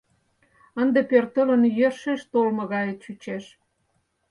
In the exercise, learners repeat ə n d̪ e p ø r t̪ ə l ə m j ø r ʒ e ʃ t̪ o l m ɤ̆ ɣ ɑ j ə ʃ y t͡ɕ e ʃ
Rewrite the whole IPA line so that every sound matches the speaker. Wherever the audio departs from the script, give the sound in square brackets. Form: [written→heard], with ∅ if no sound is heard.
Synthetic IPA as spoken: ə n d̪ e p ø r t̪ ə l ə [m→n] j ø r [ʒ→ʃ] e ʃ t̪ o l m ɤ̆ ɣ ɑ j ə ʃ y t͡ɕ e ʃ